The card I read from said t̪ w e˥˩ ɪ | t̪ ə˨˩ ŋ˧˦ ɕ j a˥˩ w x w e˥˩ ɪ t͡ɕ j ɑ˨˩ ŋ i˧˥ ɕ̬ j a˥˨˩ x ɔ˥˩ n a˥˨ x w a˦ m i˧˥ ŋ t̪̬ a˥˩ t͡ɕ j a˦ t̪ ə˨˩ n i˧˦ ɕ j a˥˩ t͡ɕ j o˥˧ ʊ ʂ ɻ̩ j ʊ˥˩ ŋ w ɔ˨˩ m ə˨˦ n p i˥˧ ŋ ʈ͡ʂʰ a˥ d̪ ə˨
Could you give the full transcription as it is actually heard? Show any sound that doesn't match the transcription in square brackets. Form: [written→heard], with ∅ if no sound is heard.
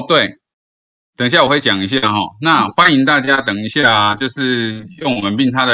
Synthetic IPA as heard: t̪ w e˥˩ ɪ | t̪ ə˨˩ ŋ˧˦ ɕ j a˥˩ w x w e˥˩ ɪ t͡ɕ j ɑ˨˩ ŋ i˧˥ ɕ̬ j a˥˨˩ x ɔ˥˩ n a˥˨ x w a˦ [m→n] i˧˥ ŋ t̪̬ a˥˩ t͡ɕ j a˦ t̪ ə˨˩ [n→ŋ] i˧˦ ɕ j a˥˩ t͡ɕ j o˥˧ ʊ ʂ ɻ̩ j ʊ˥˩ ŋ w ɔ˨˩ m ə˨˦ n p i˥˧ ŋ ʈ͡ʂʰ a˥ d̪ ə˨